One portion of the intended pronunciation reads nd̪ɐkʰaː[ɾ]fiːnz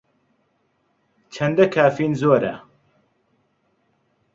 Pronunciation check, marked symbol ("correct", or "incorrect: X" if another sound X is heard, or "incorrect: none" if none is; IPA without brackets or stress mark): incorrect: none